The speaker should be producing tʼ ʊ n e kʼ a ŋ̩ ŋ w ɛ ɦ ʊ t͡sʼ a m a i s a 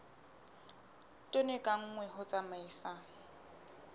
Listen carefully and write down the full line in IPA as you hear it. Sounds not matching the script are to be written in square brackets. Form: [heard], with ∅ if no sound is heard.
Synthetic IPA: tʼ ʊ n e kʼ a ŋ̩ ŋ w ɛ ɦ ʊ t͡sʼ a m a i s a